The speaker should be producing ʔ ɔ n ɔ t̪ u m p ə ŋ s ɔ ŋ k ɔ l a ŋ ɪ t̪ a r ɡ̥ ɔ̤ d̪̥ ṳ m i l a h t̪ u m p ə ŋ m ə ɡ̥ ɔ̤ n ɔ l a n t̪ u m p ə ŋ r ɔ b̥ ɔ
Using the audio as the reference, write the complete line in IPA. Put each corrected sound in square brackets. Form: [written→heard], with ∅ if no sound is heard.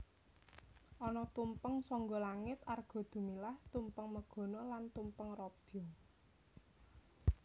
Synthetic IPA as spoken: ʔ ɔ n ɔ t̪ u m p ə ŋ s ɔ ŋ [k→ɡ] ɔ l a ŋ ɪ t̪ a r ɡ̥ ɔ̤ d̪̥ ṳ m i l a h t̪ u m p ə ŋ m ə ɡ̥ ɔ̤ n ɔ l a n t̪ u m p ə ŋ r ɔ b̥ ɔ